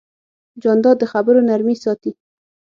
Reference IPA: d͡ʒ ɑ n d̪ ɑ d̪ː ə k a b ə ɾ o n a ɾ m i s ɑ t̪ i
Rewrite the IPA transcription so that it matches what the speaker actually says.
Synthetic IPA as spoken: d͡ʒ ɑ n d̪ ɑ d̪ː ə x a b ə ɾ o n a ɾ m i s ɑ t̪ i